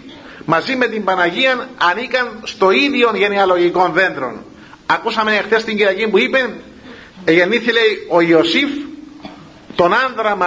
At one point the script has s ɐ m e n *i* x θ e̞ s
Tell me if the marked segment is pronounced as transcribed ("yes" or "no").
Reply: no